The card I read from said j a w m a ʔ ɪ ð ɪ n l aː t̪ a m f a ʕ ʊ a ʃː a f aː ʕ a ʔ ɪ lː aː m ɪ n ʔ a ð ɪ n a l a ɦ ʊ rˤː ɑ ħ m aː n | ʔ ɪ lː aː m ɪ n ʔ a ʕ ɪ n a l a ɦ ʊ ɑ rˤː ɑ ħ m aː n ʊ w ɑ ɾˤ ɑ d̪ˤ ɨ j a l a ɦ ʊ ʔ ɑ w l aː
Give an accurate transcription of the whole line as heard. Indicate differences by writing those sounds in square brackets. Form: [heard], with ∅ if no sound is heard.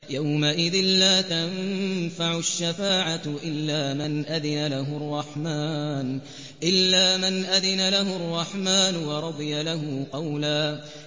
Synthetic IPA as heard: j a w m a ʔ ɪ ð ɪ n l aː t̪ a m f a ʕ ʊ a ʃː a f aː ʕ a ʔ ɪ lː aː m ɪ n ʔ a ð ɪ n a l a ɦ ʊ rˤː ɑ ħ m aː n | ʔ ɪ lː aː m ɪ n ʔ a [ð] ɪ n a l a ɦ ʊ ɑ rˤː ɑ ħ m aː n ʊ w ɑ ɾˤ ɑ d̪ˤ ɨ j a l a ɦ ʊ [q] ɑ w l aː